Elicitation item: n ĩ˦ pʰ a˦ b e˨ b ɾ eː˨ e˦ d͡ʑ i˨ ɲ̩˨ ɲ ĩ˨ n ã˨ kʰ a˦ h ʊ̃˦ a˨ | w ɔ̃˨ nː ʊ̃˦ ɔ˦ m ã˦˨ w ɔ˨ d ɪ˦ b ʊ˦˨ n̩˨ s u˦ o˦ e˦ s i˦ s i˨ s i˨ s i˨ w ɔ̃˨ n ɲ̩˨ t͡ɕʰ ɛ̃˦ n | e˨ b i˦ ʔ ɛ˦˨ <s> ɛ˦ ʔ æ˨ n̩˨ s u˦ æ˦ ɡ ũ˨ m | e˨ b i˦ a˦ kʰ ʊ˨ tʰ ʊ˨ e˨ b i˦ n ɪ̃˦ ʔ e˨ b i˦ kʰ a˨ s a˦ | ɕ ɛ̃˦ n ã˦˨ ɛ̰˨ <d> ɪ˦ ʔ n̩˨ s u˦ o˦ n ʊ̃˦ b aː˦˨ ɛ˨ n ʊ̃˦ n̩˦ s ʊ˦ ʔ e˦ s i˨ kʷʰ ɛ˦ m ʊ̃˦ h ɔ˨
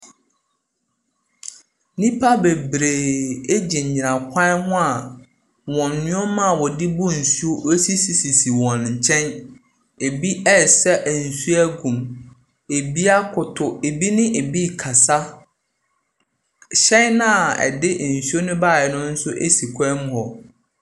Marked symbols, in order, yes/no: yes, yes

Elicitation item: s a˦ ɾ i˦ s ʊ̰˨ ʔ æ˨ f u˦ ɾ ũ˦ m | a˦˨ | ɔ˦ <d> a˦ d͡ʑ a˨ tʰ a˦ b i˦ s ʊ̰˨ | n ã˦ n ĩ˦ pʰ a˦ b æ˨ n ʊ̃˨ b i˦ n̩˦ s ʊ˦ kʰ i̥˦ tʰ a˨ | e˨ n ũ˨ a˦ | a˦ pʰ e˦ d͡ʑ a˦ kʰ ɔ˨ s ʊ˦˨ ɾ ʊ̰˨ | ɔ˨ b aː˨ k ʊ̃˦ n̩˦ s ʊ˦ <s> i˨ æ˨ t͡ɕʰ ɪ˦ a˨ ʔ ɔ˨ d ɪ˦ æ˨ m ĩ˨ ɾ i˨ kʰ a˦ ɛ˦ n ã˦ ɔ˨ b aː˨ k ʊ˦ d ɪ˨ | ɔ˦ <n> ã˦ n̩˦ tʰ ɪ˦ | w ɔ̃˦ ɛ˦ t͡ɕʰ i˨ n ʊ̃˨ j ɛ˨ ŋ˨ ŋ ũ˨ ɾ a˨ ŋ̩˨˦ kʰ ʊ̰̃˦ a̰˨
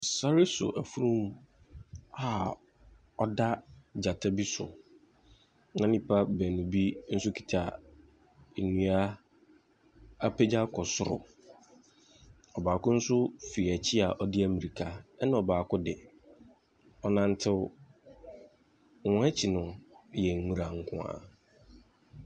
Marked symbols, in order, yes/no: yes, no, yes

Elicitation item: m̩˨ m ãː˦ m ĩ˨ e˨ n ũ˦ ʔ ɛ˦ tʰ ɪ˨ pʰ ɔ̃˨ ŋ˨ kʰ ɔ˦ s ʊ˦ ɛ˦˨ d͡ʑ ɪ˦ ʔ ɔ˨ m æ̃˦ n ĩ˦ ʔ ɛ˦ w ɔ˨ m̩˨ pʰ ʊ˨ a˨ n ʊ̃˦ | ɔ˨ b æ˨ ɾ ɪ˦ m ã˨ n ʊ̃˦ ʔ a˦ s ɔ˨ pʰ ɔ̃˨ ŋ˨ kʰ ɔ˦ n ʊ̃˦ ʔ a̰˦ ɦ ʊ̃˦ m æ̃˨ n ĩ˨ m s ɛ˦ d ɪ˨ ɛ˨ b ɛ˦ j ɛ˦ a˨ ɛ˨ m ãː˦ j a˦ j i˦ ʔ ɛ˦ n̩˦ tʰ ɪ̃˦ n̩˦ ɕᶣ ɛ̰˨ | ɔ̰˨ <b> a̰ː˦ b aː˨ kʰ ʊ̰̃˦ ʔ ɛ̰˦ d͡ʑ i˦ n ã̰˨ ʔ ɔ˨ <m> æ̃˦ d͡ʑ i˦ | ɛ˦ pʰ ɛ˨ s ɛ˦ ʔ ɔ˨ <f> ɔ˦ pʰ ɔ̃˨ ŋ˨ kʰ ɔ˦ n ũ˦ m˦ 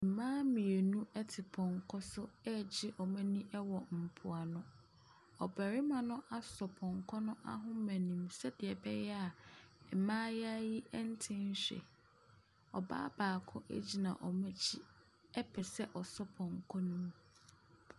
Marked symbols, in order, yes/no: yes, yes, no

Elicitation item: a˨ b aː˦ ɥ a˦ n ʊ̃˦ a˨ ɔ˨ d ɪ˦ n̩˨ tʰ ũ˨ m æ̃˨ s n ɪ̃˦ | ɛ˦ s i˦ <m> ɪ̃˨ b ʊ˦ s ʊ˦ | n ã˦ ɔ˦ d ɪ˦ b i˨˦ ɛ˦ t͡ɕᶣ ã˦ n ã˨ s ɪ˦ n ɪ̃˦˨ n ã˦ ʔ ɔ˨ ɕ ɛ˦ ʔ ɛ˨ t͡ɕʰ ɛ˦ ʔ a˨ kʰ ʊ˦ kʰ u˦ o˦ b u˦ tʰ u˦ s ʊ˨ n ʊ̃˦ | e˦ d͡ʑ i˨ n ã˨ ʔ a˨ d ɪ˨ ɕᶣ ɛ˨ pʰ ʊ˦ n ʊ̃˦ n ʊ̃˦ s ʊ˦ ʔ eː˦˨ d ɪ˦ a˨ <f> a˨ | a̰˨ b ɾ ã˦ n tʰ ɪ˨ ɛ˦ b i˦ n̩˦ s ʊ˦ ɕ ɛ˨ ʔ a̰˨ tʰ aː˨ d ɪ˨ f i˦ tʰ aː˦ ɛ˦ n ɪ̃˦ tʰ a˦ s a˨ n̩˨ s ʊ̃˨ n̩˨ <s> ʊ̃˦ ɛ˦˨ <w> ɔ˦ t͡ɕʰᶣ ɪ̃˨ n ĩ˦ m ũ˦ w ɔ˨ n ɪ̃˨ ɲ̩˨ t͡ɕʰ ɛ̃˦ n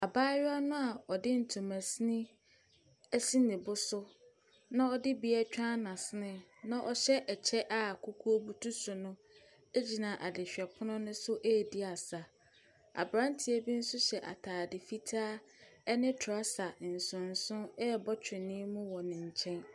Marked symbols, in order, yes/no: no, no, yes, no

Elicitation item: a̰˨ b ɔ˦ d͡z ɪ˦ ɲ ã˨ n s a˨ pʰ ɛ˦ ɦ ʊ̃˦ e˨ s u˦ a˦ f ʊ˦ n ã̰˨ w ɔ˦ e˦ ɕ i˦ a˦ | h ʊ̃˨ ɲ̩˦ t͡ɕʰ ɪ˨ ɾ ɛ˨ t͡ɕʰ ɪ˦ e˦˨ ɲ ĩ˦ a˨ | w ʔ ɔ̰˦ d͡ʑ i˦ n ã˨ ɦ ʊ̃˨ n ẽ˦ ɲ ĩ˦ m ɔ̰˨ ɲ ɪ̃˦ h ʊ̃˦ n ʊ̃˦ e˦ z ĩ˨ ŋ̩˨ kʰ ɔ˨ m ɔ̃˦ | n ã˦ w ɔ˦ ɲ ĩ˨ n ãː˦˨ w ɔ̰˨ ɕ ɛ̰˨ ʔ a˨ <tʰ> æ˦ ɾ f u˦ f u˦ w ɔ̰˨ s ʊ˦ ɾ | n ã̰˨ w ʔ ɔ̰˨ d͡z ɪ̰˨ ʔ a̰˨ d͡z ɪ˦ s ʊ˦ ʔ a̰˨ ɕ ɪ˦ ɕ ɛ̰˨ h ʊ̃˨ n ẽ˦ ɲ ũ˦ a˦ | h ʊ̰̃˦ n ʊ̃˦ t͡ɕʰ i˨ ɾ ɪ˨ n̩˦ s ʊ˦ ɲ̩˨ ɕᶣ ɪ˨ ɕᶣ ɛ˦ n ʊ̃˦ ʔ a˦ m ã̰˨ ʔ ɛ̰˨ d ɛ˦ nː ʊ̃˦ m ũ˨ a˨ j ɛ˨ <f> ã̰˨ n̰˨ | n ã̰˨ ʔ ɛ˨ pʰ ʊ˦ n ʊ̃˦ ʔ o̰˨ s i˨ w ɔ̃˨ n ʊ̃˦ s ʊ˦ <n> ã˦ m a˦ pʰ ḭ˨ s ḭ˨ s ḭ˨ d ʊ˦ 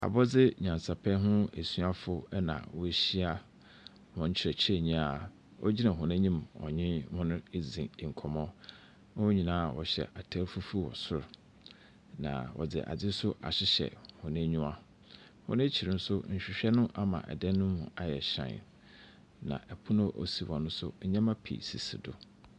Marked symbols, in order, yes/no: yes, no, no

